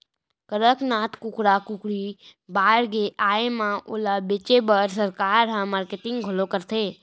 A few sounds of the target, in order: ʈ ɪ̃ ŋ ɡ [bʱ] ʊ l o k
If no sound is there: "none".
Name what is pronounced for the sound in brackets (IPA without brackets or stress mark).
ɡʱ